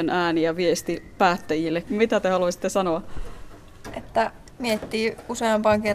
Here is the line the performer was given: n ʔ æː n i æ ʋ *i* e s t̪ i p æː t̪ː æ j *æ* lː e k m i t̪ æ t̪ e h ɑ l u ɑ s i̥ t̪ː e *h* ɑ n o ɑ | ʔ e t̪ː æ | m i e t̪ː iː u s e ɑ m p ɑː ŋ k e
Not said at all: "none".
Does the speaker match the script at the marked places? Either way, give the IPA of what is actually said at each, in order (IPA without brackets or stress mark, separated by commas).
i, i, s